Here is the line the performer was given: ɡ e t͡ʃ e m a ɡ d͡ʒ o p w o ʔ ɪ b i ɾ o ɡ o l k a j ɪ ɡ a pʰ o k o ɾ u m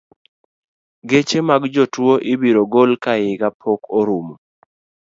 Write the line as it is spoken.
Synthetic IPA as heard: ɡ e t͡ʃ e m a ɡ d͡ʒ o t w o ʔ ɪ b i ɾ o ɡ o l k a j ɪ ɡ a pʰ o k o ɾ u m